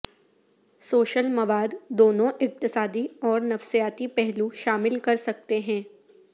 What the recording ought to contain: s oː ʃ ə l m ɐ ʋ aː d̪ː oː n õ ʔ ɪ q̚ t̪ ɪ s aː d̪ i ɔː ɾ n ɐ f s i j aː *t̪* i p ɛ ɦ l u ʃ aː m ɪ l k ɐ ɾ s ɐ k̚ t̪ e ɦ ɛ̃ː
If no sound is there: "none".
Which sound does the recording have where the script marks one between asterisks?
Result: t̪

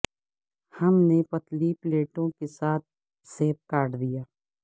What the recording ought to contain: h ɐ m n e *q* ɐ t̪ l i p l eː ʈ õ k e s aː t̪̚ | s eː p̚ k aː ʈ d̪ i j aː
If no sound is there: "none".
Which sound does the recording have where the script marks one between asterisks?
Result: p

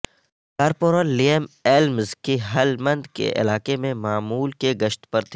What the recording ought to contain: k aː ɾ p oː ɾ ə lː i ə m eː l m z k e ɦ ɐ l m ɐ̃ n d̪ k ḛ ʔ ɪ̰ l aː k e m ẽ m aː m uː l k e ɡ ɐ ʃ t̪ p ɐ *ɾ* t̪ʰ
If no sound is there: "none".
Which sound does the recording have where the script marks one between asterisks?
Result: ɾ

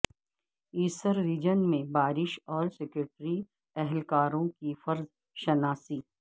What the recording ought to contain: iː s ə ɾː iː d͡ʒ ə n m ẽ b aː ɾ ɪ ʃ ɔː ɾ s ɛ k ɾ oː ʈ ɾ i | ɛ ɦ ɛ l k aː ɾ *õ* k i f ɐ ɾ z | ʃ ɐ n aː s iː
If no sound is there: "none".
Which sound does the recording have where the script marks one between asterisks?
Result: õ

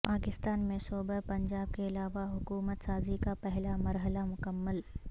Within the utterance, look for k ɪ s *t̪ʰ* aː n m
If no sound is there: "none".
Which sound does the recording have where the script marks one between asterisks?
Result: t̪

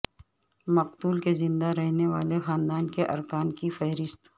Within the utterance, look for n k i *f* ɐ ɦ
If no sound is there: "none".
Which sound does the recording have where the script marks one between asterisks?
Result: f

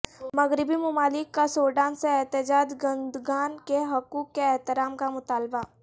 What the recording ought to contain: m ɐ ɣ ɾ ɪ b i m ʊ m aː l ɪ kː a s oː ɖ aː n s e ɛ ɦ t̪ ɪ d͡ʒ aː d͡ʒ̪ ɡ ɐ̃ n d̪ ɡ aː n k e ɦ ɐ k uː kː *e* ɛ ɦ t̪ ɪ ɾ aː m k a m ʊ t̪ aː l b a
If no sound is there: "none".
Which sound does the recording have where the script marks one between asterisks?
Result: e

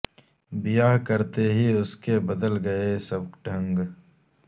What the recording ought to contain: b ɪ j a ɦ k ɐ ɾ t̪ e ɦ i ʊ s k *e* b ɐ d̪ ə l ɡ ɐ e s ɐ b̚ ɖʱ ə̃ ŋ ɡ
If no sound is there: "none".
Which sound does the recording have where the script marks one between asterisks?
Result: e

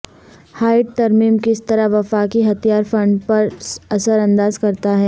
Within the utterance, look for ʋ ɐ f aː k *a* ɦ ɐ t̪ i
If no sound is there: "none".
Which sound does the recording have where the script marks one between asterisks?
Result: i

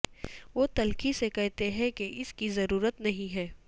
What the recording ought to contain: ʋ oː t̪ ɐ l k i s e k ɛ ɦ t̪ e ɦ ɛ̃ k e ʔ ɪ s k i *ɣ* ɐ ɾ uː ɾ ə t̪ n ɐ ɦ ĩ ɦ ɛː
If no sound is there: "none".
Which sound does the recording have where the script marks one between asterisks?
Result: z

